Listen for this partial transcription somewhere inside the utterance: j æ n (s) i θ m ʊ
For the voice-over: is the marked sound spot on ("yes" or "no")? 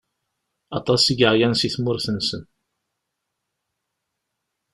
yes